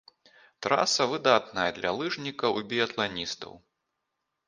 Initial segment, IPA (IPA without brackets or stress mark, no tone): t̪